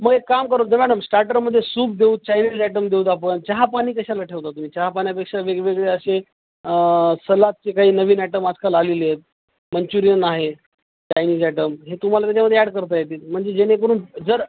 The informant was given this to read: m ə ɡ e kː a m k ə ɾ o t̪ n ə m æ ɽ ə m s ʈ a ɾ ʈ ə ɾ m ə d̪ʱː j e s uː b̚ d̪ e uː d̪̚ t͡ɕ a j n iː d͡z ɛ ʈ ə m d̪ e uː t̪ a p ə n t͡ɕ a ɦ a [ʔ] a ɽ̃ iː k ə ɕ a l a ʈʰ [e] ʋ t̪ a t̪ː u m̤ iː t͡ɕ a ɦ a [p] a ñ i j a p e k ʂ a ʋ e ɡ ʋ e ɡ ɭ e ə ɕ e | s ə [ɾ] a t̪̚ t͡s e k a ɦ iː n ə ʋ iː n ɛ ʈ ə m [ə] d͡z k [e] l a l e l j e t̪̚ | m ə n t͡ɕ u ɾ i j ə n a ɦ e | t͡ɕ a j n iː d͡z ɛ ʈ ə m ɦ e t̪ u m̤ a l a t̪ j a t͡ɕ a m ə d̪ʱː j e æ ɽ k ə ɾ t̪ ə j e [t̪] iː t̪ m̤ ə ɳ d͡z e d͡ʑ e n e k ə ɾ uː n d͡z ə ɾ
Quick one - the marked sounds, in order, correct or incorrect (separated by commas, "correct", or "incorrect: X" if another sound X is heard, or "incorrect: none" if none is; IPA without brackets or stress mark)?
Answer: incorrect: p, correct, correct, incorrect: l, incorrect: a, incorrect: a, correct